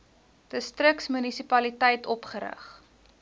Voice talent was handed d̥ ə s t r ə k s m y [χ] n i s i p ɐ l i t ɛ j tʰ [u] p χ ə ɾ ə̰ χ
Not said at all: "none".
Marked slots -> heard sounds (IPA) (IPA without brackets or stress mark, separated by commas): none, ɔ